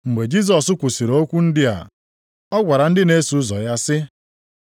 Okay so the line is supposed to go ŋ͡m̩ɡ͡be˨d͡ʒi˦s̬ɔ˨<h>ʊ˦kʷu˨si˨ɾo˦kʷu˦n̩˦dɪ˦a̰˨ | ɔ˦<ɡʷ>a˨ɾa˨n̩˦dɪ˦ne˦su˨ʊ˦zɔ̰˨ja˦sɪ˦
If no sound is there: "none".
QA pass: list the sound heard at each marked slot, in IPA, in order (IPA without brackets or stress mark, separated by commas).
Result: s, ɡʷ